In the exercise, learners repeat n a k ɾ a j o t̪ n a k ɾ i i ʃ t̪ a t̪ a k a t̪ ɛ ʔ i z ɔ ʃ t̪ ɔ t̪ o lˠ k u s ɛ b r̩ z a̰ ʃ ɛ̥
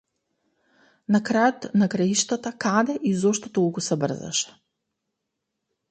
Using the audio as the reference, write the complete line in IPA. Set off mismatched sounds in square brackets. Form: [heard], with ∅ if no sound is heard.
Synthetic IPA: n a k ɾ a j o t̪ n a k ɾ [a] i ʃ t̪ a t̪ a k a [d̪] ɛ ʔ i z ɔ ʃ t̪ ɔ t̪ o lˠ k u s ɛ b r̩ z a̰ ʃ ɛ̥